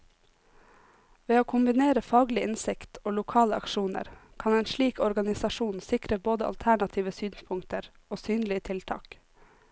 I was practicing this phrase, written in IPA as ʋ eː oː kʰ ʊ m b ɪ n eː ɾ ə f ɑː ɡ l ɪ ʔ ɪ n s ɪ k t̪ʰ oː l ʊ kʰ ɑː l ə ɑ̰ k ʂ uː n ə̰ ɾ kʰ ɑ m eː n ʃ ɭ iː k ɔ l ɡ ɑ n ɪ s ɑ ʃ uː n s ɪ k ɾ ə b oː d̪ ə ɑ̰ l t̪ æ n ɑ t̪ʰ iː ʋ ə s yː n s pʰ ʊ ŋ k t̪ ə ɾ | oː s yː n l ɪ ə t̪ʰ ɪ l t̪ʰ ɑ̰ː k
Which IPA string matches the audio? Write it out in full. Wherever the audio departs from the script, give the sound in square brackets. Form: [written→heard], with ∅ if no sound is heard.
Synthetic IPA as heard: ʋ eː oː kʰ ʊ m b ɪ n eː ɾ ə f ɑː ɡ l ɪ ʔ ɪ n s ɪ k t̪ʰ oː l ʊ kʰ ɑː l ə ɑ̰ k [ʂ→ʃ] uː n ə̰ ɾ kʰ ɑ [m→n] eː n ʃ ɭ iː k ɔ [l→ɾ] ɡ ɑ n ɪ s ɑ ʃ uː n s ɪ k ɾ ə b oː d̪ ə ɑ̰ l [t̪→t̪ʰ] æ [n→ɳ] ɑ t̪ʰ iː ʋ ə s yː n s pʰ ʊ ŋ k t̪ ə ɾ | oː s yː n l ɪ ə t̪ʰ ɪ l t̪ʰ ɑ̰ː k